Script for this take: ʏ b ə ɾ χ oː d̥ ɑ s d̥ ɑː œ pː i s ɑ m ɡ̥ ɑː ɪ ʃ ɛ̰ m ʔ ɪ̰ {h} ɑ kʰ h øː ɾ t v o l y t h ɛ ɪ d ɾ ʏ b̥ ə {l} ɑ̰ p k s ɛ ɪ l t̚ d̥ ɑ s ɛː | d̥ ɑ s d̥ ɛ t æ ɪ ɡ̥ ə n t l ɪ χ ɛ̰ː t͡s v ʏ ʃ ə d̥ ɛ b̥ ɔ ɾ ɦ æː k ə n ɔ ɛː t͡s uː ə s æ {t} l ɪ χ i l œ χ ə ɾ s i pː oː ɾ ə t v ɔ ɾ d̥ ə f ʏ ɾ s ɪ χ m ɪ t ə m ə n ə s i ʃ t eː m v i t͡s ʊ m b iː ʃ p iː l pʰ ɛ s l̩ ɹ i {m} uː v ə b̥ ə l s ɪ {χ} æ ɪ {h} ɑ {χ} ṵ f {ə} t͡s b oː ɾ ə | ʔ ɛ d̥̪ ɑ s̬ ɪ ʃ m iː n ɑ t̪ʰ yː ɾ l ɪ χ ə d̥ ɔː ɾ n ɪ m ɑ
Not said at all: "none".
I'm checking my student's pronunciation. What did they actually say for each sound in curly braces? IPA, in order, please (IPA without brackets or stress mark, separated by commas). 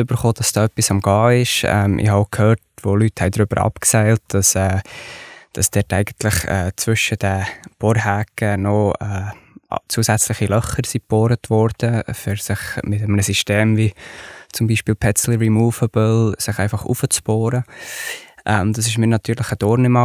h, ɾ, t͡s, m, χ, f, χ, ə